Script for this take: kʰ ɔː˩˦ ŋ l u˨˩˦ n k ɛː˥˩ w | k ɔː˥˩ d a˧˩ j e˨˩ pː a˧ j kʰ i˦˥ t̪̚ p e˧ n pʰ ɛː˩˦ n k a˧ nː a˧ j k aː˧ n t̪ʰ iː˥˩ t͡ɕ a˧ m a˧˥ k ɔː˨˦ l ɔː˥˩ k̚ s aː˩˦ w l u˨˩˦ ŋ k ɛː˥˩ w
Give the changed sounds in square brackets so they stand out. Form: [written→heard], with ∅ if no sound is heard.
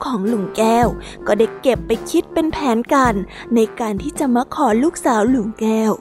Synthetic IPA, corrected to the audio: kʰ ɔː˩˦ ŋ l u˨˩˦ [n→ŋ] k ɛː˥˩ w | k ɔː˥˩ d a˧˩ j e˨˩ pː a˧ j kʰ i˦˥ t̪̚ p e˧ n pʰ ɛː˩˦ n k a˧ nː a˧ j k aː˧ n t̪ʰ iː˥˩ t͡ɕ [a˧→a˨˩] m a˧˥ [k→kʰ] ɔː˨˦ l [ɔː˥˩→uː˥˩] k̚ s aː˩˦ w l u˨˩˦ ŋ k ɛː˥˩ w